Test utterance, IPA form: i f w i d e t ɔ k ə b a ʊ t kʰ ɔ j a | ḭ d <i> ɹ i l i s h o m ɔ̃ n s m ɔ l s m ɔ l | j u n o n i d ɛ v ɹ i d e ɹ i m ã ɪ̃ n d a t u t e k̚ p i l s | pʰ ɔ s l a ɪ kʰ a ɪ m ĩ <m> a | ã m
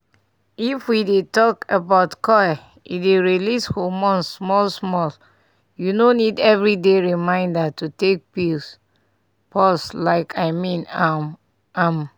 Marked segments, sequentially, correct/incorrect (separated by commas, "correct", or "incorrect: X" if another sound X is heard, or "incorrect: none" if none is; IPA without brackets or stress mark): incorrect: e, incorrect: n